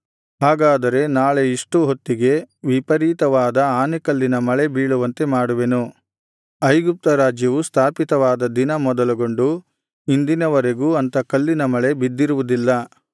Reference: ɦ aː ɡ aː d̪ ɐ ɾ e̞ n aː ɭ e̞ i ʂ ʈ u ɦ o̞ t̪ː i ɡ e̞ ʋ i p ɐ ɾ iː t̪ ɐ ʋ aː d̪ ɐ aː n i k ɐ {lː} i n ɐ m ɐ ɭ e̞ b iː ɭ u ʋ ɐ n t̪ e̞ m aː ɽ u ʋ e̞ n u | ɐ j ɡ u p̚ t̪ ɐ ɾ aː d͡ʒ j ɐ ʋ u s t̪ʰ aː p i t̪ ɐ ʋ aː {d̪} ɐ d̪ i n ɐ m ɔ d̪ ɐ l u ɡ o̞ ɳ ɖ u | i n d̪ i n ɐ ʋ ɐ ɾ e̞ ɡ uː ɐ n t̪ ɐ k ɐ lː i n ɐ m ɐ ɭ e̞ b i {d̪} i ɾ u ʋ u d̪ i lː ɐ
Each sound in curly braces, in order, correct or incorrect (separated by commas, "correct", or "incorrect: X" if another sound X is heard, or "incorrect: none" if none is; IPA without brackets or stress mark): correct, correct, incorrect: d̪ː